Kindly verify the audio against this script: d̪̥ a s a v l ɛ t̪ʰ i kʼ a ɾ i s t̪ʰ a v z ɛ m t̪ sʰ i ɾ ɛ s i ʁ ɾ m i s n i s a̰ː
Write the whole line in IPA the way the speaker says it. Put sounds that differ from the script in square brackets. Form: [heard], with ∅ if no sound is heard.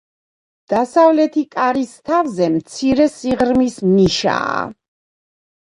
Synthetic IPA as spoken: d̪̥ a s a v l ɛ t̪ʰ i kʼ a ɾ i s t̪ʰ a v z ɛ m t̪ sʰ i ɾ ɛ s i ʁ ɾ m i s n i [ʃ] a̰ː